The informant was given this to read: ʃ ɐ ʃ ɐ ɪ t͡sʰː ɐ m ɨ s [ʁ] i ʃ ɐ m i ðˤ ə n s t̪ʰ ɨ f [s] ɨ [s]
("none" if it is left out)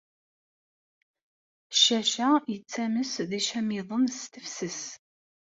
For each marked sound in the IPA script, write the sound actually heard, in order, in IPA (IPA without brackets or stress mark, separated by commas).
ð, s, s